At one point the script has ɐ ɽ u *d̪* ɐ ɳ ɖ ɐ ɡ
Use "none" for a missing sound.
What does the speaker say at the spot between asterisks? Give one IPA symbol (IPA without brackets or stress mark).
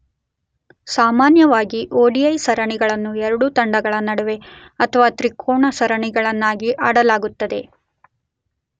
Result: t̪